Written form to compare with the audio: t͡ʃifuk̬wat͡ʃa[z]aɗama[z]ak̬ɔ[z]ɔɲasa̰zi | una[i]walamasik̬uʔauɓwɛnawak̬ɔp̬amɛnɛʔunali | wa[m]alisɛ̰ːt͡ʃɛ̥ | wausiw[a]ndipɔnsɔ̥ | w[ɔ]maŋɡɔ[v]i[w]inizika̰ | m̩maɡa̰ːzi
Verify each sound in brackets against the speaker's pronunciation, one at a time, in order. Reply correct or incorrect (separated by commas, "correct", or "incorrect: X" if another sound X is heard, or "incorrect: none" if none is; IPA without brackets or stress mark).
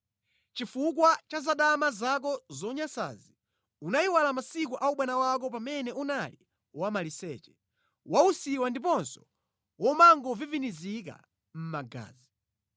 correct, correct, correct, correct, correct, correct, correct, correct, incorrect: v